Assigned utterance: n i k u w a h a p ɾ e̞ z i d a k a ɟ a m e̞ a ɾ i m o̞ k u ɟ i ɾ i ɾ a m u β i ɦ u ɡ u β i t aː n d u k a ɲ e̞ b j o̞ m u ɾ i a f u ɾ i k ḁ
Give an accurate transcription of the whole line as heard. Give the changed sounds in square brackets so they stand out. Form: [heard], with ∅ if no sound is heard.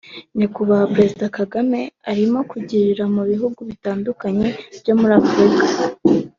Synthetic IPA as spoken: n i k u [β] a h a p ɾ e̞ z i d a k a [ɡ] a m e̞ a ɾ i m o̞ k u ɟ i ɾ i ɾ a m u β i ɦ u ɡ u β i t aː n d u k a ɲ e̞ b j o̞ m u ɾ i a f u ɾ i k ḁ